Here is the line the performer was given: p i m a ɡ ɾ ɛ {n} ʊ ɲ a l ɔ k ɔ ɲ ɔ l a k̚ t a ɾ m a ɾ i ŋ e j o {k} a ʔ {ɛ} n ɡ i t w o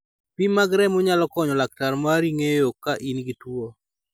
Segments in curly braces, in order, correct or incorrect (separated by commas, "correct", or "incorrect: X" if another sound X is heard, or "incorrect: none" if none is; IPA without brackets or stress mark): incorrect: m, correct, incorrect: i